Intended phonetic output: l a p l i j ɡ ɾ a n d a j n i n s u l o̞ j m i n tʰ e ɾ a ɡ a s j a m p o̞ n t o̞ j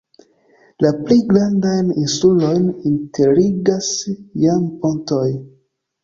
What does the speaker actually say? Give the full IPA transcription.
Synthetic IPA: l a p l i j ɡ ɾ a n d a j n i n s u l o̞ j n i n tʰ e ɾ i ɡ a s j a m p o̞ n t o̞ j